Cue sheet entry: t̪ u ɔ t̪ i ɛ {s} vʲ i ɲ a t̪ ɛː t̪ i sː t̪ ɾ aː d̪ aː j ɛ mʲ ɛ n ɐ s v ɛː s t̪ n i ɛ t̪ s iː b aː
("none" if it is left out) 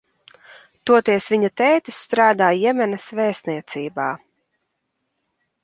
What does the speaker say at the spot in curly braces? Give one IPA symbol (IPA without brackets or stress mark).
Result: s